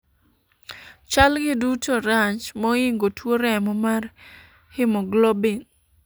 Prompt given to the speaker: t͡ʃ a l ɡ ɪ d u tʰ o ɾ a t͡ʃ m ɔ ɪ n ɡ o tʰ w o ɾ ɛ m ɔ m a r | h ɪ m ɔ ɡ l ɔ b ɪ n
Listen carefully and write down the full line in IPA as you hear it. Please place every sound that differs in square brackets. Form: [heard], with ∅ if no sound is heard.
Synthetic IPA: t͡ʃ a l ɡ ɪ d u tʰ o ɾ a t͡ʃ m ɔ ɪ [ŋ] ɡ o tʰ w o ɾ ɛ m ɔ m a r | h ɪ m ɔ ɡ l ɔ b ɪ n